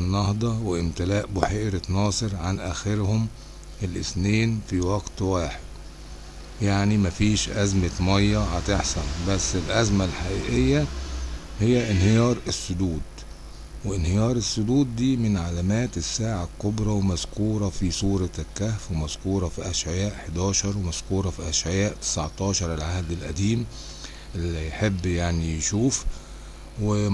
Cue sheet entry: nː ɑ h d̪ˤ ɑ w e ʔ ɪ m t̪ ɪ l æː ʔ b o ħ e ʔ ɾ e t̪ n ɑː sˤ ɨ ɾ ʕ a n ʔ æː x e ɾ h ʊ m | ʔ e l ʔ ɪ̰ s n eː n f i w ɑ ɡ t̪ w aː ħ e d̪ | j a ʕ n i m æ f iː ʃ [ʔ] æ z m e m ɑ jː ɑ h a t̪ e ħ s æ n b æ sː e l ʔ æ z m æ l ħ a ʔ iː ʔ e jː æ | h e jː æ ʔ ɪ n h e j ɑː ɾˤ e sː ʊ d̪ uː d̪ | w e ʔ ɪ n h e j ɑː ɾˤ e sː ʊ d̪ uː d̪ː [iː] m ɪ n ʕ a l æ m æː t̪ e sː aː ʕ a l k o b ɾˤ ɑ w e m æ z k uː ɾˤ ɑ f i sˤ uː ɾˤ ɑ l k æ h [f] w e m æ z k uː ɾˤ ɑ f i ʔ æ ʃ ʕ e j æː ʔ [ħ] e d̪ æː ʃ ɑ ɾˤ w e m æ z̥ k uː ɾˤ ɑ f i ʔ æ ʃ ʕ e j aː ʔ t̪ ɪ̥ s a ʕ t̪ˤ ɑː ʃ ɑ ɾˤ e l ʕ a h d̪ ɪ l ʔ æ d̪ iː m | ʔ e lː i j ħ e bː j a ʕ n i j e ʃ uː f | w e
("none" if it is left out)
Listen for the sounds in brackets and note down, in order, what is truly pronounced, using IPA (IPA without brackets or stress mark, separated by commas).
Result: ʔ, iː, f, ħ